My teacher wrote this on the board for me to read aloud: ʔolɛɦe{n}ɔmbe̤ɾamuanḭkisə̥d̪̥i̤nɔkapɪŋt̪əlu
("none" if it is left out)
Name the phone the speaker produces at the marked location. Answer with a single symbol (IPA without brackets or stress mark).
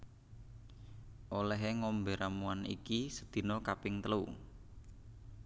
ŋ